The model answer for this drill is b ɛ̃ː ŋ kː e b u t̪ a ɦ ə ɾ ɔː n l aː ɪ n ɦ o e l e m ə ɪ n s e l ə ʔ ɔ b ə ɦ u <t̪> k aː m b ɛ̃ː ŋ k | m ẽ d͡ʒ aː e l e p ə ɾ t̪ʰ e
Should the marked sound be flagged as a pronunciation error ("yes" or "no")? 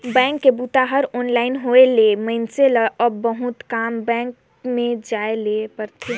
no